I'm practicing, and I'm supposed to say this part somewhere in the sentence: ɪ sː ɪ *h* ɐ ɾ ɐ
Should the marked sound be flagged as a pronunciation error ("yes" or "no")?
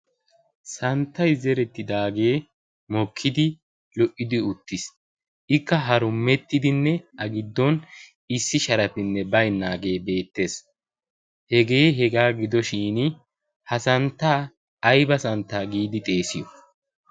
yes